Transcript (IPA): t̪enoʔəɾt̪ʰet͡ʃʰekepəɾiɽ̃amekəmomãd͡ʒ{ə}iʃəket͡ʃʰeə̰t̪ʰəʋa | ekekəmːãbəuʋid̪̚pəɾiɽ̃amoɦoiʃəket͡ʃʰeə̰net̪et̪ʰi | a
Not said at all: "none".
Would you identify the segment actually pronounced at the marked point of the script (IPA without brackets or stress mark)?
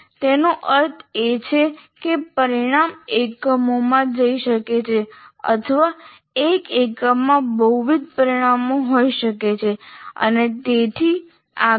ə